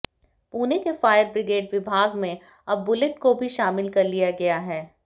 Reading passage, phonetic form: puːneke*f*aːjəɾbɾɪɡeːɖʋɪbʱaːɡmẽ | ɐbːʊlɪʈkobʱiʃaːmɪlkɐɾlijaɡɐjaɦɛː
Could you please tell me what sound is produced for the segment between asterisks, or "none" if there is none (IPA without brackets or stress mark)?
f